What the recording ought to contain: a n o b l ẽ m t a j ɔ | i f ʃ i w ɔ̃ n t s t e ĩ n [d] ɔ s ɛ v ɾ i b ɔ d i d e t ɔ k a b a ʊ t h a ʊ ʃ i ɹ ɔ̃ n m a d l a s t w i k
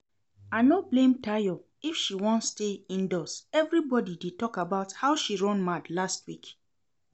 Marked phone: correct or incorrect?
correct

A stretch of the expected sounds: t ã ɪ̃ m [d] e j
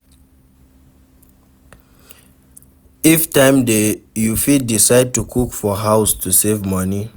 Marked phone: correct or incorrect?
correct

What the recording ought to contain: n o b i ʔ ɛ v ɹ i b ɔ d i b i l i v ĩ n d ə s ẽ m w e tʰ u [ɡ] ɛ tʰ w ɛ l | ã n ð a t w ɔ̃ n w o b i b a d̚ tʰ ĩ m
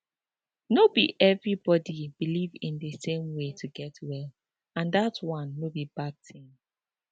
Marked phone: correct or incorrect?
correct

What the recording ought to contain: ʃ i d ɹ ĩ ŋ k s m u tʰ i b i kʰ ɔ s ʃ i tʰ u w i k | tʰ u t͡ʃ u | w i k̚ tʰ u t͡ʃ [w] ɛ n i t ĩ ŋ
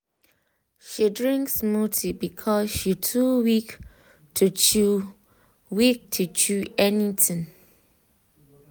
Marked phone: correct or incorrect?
incorrect: u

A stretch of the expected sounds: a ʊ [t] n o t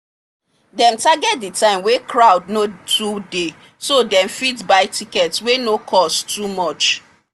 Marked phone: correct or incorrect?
incorrect: d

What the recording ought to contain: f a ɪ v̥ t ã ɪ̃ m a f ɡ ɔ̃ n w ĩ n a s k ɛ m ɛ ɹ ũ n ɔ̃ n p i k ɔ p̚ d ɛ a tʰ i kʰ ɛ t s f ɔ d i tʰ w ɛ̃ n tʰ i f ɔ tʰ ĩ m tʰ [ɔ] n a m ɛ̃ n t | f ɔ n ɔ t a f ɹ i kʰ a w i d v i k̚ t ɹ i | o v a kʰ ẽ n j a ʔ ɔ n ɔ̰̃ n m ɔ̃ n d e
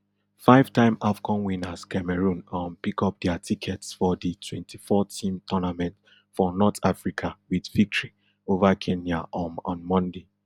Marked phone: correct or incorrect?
correct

